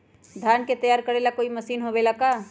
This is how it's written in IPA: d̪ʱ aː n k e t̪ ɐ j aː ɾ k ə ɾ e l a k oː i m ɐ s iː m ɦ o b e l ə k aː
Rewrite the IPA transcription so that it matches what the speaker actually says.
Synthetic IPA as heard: d̪ʱ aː n k e t̪ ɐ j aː ɾ k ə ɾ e l a k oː i m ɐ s iː n ɦ o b e l a k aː